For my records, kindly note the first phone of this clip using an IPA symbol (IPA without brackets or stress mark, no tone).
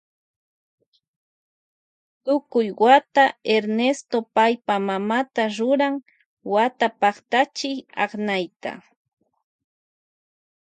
t̪